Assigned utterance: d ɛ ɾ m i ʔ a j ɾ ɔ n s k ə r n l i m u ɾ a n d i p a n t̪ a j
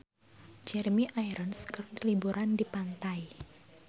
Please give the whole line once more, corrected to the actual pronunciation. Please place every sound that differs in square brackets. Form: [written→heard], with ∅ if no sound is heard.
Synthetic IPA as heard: [d→d͡ʒ] ɛ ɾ m i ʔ a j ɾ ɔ n s k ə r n l i [m→b] u ɾ a n d i p a n t̪ a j